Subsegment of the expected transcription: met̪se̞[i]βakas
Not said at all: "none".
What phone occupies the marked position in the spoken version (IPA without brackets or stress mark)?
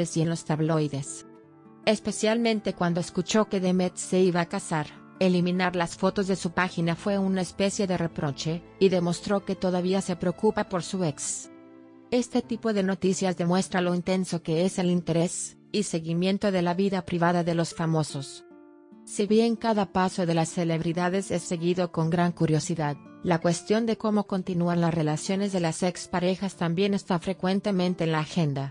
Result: i